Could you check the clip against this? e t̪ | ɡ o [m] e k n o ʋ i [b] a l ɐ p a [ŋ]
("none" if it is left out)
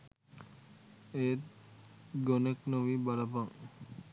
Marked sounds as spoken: n, b, ŋ

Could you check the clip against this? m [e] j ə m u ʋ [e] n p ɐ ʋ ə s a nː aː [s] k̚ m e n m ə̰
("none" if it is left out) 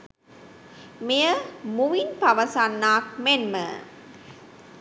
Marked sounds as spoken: i, i, none

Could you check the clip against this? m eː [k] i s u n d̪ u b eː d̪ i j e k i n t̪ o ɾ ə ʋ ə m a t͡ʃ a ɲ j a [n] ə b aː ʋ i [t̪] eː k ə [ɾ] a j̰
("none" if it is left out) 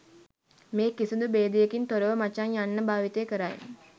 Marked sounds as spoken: k, nː, t̪, ɾ

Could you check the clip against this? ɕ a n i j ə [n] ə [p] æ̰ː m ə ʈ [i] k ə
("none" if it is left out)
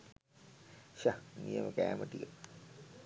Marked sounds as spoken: m, k, i

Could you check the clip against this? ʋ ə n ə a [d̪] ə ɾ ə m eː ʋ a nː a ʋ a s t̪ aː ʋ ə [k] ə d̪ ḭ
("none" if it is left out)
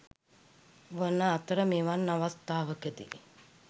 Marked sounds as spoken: t̪, k

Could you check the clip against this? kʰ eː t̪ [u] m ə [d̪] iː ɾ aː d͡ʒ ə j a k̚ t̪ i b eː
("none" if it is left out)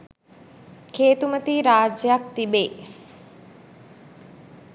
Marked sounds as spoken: u, t̪

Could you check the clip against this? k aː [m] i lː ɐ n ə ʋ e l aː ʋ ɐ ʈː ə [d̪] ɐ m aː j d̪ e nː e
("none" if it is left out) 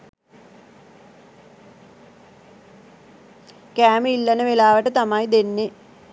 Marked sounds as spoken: m, t̪

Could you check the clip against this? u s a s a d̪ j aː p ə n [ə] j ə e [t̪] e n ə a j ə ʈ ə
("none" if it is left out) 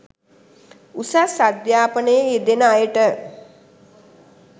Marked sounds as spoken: ə, d̪

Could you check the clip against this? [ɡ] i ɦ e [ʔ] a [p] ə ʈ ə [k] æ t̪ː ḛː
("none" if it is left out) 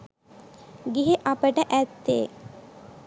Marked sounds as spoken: ɡ, ʔ, p, ʔ

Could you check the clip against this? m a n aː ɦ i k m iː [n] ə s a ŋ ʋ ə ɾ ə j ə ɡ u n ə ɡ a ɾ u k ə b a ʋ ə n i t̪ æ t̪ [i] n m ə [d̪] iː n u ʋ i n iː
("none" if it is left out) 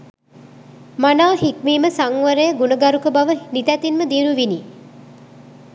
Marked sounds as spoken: m, i, d̪

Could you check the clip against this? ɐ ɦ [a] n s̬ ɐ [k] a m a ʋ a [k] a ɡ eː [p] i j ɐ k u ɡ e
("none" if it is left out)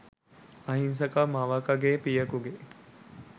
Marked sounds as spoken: i, k, k, p

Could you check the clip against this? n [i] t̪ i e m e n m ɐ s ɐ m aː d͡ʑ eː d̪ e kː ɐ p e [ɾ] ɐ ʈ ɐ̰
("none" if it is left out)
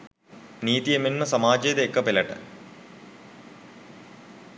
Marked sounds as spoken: iː, l

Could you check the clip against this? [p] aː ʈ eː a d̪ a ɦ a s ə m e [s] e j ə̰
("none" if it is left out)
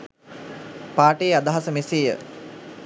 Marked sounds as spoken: p, s

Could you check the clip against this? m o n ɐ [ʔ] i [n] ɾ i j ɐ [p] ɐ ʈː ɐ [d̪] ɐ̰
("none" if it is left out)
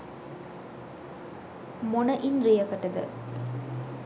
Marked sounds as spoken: ʔ, n, k, d̪

